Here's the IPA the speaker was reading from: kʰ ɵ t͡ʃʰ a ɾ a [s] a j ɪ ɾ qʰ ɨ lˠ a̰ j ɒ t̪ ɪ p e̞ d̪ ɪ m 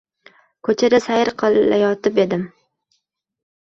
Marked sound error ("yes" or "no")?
no